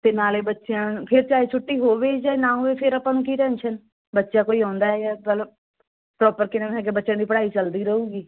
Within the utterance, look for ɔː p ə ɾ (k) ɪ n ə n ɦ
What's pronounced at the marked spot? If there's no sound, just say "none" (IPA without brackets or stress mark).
k